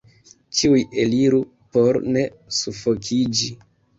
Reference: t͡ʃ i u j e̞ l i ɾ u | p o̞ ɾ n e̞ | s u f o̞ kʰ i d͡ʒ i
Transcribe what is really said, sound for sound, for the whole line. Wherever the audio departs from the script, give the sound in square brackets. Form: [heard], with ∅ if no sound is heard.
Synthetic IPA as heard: t͡ʃ i u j e̞ l i ɾ u | p o̞ ɾ n e̞ | s u f o̞ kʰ i d͡ʒ i